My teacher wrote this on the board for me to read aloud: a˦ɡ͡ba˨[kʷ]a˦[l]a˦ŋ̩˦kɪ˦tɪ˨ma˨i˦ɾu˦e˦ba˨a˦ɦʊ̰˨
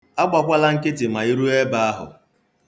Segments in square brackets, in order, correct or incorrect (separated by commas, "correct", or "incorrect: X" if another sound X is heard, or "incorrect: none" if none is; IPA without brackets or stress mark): correct, correct